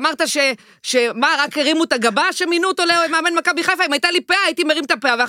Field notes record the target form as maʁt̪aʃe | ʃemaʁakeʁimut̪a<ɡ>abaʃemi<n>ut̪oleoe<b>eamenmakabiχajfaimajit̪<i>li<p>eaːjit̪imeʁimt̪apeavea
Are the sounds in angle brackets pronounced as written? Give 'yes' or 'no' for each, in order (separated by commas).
yes, yes, no, no, yes